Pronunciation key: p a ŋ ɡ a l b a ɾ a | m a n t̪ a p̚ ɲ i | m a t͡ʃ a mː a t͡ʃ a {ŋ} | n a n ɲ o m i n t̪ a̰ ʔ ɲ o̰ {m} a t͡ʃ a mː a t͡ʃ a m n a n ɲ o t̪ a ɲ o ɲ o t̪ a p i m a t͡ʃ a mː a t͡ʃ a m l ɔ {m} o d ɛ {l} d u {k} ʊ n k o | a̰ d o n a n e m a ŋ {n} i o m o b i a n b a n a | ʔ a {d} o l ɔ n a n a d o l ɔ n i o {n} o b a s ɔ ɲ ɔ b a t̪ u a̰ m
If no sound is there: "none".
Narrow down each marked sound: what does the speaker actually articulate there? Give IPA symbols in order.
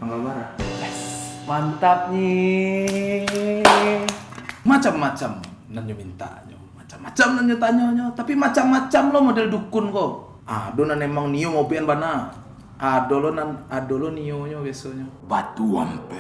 m, m, m, l, k, n, d, ɲ

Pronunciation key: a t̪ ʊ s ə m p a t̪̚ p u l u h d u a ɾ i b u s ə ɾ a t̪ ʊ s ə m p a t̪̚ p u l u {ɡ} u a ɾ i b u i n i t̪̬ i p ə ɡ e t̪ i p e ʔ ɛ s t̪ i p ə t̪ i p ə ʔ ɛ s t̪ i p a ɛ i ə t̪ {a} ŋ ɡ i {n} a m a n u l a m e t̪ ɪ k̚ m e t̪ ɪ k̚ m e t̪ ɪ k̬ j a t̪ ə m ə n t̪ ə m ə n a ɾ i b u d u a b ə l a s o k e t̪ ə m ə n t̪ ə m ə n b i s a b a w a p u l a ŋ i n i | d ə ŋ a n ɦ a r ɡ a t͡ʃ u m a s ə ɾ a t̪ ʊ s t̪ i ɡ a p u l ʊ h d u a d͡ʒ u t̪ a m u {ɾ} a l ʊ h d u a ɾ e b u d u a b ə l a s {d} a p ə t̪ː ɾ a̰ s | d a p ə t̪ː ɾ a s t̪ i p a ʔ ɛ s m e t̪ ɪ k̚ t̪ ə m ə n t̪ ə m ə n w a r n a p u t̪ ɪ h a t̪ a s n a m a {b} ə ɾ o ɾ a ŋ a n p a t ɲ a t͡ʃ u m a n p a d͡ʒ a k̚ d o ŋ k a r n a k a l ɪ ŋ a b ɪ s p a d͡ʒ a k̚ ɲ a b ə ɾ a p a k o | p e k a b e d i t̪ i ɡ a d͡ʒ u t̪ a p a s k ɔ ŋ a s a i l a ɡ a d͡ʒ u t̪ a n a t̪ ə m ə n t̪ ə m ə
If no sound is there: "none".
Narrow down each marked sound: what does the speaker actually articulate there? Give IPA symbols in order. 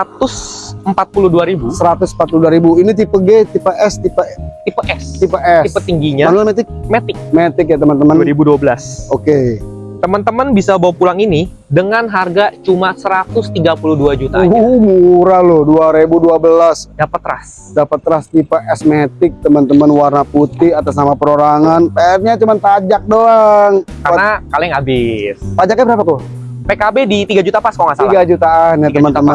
d, i, ɲ, ɾ, d, p

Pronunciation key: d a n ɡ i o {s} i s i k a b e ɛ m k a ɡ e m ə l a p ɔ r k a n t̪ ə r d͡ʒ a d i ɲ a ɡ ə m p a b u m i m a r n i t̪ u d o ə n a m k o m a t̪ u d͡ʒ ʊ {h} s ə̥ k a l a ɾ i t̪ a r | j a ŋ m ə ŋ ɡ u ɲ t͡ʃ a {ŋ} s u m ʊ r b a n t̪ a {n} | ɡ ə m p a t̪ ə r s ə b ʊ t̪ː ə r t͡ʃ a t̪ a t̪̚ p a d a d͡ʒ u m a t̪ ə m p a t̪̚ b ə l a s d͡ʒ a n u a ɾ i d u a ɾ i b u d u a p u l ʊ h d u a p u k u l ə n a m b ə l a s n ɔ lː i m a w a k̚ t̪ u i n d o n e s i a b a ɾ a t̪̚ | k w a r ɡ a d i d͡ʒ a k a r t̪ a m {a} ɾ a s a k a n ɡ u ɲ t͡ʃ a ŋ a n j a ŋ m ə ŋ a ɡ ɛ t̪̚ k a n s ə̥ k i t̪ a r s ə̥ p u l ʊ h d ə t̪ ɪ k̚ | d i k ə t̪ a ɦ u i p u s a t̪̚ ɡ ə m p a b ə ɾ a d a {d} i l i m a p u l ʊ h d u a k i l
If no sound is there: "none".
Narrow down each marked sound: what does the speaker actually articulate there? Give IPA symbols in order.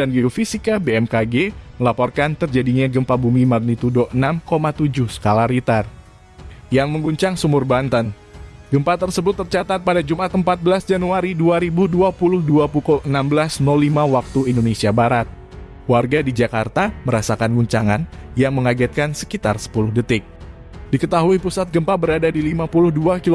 f, h, ŋ, n, ə, d

